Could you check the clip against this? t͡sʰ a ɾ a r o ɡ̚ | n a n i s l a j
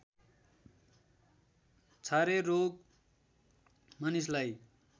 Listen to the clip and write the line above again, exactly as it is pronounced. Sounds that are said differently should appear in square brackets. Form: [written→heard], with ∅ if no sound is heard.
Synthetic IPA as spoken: t͡sʰ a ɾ [a→e] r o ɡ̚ | [n→m] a n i s l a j